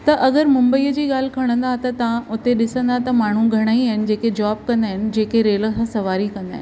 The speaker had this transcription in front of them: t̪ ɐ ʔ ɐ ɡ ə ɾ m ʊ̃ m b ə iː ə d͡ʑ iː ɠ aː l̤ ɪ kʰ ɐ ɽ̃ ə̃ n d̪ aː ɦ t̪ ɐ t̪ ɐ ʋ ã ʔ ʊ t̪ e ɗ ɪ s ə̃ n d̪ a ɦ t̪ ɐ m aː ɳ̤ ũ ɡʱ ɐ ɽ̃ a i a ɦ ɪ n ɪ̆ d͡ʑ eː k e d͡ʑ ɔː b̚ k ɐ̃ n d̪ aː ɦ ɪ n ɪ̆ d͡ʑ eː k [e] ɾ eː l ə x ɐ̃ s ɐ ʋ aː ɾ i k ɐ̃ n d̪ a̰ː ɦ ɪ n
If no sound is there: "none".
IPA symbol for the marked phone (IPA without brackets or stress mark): e